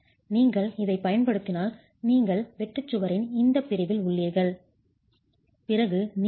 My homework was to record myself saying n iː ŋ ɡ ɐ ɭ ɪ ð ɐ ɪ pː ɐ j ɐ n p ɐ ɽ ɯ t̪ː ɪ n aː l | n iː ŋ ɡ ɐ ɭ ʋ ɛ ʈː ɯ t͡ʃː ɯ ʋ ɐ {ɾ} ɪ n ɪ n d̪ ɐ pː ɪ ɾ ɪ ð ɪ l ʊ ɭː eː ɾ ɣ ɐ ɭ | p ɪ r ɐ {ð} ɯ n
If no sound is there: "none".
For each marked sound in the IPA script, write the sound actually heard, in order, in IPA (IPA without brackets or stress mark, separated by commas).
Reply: ɾ, ɣ